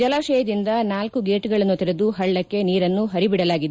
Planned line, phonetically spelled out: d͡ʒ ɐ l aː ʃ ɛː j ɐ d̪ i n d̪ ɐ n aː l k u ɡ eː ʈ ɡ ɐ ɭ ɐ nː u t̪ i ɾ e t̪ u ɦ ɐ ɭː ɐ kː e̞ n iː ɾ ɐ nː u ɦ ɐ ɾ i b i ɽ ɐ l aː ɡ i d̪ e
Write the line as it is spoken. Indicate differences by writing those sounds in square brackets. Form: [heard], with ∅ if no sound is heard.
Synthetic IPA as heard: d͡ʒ ɐ l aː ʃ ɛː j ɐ d̪ i n d̪ ɐ n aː l k u ɡ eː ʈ ɡ ɐ ɭ ɐ nː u t̪ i ɾ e [d̪] u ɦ ɐ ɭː ɐ kː e̞ n iː ɾ ɐ nː u ɦ ɐ ɾ i b i ɽ ɐ l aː ɡ i d̪ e